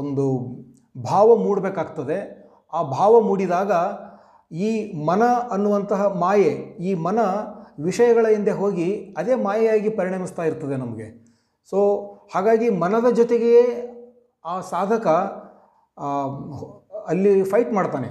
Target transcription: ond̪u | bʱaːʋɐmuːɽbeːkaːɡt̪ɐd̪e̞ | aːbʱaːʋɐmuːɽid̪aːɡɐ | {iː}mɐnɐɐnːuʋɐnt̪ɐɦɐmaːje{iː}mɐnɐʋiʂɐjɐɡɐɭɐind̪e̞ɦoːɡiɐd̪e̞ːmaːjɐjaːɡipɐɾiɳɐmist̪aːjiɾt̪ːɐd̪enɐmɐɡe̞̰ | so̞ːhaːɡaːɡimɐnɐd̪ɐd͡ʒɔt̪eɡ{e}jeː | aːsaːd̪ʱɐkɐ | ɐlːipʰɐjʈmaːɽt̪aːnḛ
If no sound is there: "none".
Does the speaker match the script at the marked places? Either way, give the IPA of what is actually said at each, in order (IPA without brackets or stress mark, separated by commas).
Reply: iː, iː, e